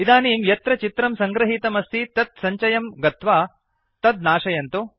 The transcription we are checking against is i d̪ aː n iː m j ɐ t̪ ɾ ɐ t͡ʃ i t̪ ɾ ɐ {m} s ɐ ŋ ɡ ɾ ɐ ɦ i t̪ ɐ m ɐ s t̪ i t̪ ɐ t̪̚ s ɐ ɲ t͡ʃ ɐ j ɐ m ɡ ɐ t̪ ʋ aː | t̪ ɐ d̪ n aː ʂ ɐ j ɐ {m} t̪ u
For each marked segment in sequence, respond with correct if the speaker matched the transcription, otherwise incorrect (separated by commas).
correct, incorrect